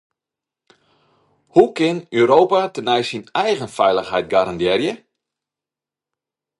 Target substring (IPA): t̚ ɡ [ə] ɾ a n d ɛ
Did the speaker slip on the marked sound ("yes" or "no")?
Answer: yes